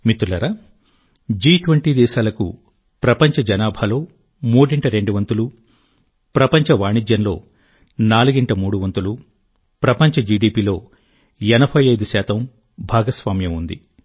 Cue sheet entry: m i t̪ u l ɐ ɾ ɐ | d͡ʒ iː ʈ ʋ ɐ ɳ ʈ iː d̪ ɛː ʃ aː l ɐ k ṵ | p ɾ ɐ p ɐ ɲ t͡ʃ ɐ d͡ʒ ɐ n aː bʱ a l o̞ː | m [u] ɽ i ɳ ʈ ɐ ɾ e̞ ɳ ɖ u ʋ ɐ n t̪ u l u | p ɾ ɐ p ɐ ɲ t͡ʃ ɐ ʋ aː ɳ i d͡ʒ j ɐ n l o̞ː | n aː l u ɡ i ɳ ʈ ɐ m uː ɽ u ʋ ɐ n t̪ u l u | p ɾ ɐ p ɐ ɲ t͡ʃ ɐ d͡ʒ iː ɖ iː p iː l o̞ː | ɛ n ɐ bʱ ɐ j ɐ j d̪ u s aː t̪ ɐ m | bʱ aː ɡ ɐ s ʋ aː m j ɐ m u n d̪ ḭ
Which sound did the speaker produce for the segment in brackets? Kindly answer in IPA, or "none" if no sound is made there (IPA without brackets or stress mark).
uː